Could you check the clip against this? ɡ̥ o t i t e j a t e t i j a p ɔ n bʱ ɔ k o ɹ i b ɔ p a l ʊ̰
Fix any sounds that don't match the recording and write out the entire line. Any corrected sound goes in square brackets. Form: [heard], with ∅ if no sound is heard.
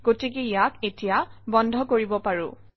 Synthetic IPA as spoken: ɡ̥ o t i [k] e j a [k] e t i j a [b] ɔ n [dʱ] ɔ k o ɹ i b ɔ p a [ɹ] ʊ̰

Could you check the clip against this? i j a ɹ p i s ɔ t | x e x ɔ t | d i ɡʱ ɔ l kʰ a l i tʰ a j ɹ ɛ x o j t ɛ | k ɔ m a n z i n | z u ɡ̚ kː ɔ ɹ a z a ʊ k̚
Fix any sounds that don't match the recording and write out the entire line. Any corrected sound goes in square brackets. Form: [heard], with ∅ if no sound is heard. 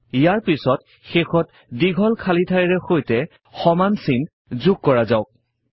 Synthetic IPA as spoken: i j a ɹ p i s ɔ t | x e x ɔ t | d i ɡʱ ɔ l kʰ a l i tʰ a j ɹ ɛ x o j t ɛ | [x] ɔ m a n [s] i n | z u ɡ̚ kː ɔ ɹ a z a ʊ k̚

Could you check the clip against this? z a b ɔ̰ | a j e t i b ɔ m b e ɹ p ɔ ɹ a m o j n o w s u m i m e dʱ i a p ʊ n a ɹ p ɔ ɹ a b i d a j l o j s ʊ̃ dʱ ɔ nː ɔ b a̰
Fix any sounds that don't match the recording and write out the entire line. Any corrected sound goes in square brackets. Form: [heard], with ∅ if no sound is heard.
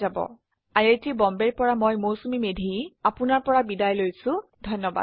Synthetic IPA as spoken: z a b ɔ̰ | a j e t i b ɔ m b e ɹ p ɔ ɹ a m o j [m] o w s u m i m e dʱ i a p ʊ n a ɹ p ɔ ɹ a b i d a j l o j s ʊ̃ dʱ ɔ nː ɔ b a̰

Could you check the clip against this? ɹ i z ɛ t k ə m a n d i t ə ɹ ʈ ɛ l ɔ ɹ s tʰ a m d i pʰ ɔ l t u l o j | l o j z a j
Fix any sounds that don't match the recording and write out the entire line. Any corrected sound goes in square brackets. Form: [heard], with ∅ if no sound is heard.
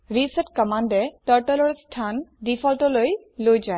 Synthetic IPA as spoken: ɹ i [s] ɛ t k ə m a n d [ɛ] t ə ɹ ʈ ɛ l ɔ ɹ s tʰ a [n] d i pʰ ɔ l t [ɔ] l o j | l o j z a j

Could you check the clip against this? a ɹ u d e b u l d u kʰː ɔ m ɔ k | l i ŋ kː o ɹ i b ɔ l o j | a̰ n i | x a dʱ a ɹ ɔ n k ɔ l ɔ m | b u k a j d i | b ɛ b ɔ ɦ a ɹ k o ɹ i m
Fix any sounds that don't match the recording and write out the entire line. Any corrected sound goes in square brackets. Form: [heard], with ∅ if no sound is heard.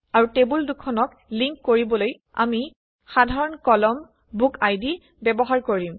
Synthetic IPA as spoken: a ɹ u [t] e b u l d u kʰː ɔ [n] ɔ k | l i ŋ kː o ɹ i b ɔ l o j | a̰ [m] i | x a dʱ a ɹ ɔ n k ɔ l ɔ m | b u k a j d i | b ɛ b ɔ ɦ a ɹ k o ɹ i m

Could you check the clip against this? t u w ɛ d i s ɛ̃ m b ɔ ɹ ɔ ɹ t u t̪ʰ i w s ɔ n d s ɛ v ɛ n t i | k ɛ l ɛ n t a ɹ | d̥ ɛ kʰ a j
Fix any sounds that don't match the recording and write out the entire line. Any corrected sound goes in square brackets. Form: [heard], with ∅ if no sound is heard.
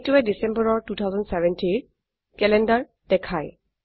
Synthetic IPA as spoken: t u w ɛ d i s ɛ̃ m b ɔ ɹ ɔ ɹ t u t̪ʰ [a] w [z] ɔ n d s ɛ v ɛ n t i | k ɛ l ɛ n [d] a ɹ | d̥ ɛ kʰ a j

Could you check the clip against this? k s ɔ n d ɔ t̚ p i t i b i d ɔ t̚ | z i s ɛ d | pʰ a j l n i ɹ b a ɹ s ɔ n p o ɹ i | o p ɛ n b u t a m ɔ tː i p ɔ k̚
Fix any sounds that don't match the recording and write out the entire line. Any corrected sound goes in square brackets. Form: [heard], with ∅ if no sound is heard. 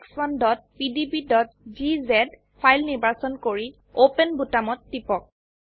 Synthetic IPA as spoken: k s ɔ n d ɔ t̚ p i [d] i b i d ɔ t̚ | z i [z] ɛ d | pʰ a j l n i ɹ b a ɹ s ɔ n [k] o ɹ i | o p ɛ n b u t a m ɔ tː i p ɔ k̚

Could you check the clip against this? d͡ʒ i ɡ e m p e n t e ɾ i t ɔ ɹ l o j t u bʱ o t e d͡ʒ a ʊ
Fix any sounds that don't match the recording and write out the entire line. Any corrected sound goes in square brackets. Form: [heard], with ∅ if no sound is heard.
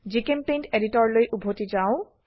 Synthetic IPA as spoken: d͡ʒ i [k] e m p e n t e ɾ i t ɔ ɹ l o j [ʔ] u bʱ o t [i] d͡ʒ a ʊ

